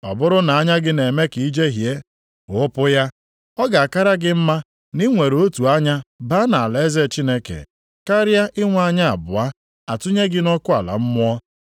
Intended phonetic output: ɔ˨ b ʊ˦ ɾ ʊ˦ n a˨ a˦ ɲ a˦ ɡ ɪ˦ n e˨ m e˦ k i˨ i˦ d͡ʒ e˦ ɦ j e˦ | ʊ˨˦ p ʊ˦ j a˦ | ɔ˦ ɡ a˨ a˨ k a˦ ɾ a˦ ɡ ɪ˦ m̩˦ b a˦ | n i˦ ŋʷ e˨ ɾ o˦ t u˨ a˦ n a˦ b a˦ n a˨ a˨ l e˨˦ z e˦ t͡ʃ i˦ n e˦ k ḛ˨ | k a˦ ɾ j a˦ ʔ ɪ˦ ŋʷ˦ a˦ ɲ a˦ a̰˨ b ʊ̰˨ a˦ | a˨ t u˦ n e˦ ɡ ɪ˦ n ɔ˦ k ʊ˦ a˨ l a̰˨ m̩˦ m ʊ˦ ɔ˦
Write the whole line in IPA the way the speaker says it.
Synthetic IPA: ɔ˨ b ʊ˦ ɾ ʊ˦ n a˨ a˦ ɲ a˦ ɡ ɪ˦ n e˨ m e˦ k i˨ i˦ d͡ʒ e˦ ɦ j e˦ | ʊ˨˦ p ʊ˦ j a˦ | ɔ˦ ɡ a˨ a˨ k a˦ ɾ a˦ ɡ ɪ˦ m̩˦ m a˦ | n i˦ ŋʷ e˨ ɾ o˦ t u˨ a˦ ɲ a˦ b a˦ n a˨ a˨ l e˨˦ z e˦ t͡ʃ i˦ n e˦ k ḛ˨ | k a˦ ɾ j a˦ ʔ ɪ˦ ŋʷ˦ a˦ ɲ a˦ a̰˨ b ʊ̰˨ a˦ | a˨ t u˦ ɲ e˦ ɡ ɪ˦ n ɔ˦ k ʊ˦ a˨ l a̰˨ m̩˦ m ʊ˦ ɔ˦

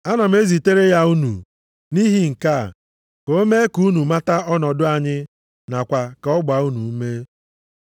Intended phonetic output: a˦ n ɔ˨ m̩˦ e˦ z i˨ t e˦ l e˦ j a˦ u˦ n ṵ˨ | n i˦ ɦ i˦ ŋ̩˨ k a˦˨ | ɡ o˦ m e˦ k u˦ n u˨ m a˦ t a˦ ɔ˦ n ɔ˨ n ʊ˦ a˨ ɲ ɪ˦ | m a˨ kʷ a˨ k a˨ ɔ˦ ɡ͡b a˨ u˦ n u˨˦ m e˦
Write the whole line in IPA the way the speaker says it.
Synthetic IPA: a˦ n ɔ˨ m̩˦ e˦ z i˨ t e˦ ɾ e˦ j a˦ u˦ n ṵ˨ | n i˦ ɦ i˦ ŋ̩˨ k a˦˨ | k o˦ m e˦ k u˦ n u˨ m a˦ t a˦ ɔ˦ n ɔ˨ d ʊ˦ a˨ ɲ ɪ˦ | n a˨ kʷ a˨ k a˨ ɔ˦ ɡ͡b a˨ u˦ n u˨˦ m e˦

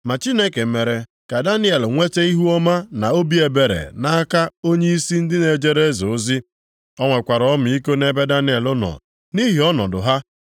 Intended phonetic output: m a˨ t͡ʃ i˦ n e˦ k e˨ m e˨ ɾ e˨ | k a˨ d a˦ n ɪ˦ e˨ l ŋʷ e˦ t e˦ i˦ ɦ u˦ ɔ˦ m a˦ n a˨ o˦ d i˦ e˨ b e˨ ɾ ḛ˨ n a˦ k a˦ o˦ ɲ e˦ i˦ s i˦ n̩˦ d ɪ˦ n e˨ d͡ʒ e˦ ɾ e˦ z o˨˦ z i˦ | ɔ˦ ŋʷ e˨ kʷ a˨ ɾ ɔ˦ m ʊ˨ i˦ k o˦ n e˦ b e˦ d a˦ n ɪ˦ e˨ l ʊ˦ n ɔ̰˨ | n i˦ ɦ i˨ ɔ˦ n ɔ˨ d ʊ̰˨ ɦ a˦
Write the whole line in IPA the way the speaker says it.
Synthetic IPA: m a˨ t͡ʃ i˦ n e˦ k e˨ m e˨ ɾ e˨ | k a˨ d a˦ n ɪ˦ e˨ l ŋʷ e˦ t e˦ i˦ ɦ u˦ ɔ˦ m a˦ n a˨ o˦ b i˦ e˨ b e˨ ɾ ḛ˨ n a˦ k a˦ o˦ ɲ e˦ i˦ s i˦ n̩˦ d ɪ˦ n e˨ d͡ʒ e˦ ɾ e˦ z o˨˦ z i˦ | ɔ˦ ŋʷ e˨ kʷ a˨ ɾ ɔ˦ m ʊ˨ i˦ k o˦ n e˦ b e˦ d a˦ n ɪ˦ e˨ l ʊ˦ n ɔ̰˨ | n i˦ ɦ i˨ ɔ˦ n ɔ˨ d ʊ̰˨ ɦ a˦

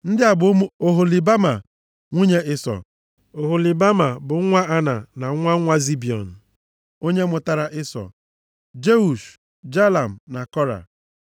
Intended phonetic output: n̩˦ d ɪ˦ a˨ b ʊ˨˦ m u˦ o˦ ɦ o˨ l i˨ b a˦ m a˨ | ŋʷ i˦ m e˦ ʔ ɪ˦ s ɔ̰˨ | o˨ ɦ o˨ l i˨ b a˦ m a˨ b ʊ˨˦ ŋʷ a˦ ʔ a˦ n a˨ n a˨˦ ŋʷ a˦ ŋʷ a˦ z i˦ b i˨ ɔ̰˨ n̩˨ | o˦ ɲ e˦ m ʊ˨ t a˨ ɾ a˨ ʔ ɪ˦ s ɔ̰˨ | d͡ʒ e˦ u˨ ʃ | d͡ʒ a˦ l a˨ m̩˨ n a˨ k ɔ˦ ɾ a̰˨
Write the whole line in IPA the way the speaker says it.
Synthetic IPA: n̩˦ d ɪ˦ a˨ b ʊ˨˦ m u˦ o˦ ɦ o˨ l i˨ b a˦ m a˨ | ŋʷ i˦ ɲ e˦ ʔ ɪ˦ s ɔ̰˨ | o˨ ɦ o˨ l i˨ b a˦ m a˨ b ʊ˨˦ ŋʷ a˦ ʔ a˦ n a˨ n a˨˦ ŋʷ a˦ ŋʷ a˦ z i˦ b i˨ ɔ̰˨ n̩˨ | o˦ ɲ e˦ m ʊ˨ t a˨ ɾ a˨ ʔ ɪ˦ s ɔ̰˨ | d͡ʒ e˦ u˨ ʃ | d͡ʒ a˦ l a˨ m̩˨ n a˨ k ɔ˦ ɾ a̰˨

